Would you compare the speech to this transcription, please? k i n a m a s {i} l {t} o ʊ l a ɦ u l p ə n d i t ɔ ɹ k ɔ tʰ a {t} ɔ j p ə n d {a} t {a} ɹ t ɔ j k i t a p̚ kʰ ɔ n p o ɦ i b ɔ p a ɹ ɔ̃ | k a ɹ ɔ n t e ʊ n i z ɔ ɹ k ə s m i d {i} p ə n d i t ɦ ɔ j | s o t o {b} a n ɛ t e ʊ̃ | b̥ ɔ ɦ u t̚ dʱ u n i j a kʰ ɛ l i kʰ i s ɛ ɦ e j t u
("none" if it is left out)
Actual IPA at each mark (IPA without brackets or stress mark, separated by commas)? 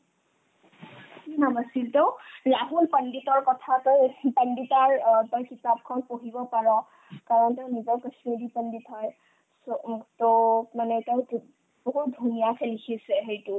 i, t, t, i, a, i, m